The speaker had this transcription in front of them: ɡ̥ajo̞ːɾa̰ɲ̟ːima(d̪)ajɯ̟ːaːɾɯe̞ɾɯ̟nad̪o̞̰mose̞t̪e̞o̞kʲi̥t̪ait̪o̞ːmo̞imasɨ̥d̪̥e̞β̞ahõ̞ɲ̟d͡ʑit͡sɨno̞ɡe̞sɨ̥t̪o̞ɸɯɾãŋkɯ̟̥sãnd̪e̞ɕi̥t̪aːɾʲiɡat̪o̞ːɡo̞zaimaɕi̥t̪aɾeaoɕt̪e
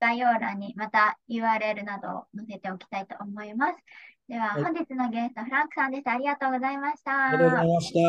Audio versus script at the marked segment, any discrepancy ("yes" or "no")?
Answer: yes